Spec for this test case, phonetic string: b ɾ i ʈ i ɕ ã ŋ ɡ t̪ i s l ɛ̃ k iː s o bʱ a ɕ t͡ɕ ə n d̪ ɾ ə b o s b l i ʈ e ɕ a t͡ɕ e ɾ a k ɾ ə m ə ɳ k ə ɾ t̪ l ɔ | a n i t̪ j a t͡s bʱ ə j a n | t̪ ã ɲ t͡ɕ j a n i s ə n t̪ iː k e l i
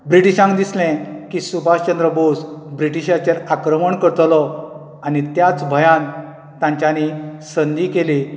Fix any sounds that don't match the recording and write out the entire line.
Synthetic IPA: b ɾ i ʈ i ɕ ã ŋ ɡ d̪ i s l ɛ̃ k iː s u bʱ a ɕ t͡ɕ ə n d̪ ɾ ə b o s b ɾ i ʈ i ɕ a t͡ɕ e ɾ a k ɾ ə m ə ɳ k ə ɾ t̪ l ɔ | a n i t̪ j a t͡s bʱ ə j a n | t̪ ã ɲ t͡ɕ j a n i s ə n d̪ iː k e l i

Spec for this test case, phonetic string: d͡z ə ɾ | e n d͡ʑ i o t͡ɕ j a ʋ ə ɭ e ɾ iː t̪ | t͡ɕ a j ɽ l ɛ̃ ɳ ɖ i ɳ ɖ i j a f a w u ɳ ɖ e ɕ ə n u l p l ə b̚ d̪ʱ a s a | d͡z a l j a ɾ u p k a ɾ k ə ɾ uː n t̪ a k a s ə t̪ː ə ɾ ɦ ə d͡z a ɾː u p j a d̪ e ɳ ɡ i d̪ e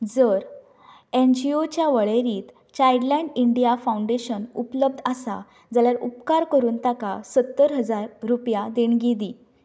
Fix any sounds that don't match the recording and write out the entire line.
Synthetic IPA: d͡z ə ɾ | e n d͡ʑ i o t͡ɕ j a ʋ ə ɭ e ɾ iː t̪ | t͡ɕ a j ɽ l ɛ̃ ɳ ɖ i ɳ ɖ i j a f a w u ɳ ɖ e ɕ ə n u p l ə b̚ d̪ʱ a s a | d͡z a l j a ɾ u p k a ɾ k ə ɾ uː n t̪ a k a s ə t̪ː ə ɾ ɦ ə d͡z a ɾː u p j a d̪ e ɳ ɡ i d̪ i

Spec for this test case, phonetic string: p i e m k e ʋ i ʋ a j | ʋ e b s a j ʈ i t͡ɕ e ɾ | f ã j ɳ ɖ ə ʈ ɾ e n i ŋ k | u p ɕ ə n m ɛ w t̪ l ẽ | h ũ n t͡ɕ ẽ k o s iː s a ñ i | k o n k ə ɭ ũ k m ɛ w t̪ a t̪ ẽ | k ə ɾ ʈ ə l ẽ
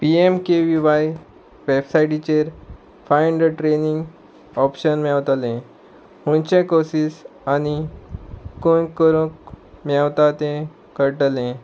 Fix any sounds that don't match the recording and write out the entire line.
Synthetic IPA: p i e m k e ʋ i ʋ a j | ʋ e b s a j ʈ i t͡ɕ e ɾ | f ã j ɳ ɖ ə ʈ ɾ e n i ŋ ɡ | ɔ p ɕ ə n m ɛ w t̪ l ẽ | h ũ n t͡ɕ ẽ k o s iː s a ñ i | k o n k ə ɾ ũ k m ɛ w t̪ a t̪ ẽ | k ə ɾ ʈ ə l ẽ

